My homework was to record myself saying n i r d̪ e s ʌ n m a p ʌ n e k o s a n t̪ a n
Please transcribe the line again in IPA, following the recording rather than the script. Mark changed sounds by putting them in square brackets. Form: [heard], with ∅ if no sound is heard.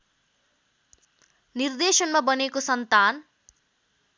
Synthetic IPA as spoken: n i r d̪ e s ʌ n m a [b] ʌ n e k o s [ʌ] n t̪ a n